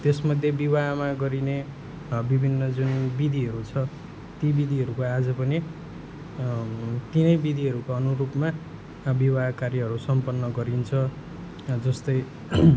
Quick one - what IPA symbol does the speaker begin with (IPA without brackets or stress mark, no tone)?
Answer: t̪